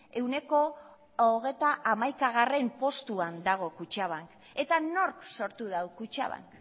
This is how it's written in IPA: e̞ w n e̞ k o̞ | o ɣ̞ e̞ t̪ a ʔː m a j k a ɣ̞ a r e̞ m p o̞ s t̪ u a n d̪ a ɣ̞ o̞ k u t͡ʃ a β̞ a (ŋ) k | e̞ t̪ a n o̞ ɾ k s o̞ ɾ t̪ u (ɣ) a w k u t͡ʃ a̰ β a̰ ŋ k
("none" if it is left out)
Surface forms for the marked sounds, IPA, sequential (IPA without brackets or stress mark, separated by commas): ŋ, ð